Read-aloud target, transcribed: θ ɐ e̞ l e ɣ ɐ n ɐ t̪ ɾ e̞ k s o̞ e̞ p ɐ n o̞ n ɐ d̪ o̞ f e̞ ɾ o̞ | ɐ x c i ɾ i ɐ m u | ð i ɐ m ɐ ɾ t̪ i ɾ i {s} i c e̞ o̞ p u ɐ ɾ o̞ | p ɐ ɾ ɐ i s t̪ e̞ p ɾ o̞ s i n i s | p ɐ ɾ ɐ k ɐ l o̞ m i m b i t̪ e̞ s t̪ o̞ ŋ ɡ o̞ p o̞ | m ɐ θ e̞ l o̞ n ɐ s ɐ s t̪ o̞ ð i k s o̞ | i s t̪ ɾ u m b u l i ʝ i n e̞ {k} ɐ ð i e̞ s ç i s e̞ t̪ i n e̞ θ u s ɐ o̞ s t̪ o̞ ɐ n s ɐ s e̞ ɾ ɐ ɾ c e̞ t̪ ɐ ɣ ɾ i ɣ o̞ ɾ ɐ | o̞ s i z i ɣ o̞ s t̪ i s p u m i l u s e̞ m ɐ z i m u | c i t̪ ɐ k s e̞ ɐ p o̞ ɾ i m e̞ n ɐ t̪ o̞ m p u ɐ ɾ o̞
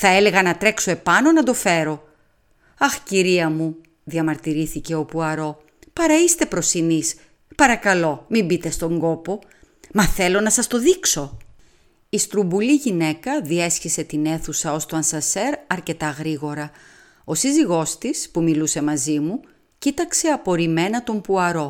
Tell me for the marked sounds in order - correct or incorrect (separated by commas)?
incorrect, correct